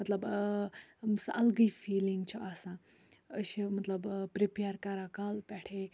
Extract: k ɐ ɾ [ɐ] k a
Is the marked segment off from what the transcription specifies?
yes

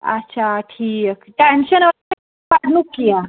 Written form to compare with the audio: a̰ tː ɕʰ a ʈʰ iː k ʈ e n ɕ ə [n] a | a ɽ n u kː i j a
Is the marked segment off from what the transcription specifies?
no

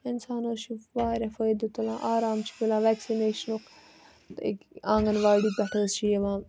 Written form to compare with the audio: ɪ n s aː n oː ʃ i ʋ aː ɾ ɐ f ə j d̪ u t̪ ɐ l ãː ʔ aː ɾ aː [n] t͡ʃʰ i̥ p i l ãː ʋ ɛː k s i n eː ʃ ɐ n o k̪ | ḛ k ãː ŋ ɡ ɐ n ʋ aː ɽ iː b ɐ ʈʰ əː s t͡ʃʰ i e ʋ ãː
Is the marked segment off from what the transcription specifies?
yes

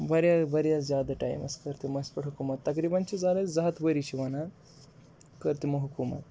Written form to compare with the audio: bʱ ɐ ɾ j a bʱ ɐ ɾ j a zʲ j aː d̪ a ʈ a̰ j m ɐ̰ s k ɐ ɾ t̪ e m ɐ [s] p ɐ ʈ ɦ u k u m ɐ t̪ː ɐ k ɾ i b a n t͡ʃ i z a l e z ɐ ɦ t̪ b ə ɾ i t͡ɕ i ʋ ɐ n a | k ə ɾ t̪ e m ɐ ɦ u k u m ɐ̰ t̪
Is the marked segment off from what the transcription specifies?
no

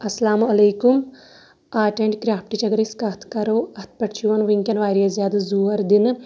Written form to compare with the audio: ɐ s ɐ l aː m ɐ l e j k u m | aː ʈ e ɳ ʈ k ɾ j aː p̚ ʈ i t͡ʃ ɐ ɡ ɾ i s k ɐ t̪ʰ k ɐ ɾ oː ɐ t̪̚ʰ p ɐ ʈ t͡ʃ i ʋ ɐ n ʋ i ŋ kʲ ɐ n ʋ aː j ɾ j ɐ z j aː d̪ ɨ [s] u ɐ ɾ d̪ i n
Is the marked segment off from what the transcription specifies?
yes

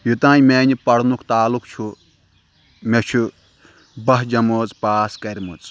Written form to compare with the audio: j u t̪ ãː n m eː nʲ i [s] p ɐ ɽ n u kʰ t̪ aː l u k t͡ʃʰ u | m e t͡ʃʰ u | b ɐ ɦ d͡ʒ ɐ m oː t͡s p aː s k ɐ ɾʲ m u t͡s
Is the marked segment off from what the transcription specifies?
yes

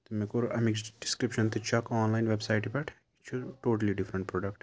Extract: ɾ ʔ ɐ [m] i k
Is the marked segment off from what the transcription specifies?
no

